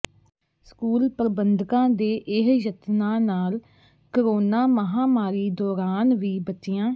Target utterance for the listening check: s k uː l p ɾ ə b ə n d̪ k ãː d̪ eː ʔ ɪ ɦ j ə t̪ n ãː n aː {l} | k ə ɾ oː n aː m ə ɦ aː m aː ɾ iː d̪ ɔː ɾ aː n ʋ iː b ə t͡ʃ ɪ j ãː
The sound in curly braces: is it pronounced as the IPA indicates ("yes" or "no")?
yes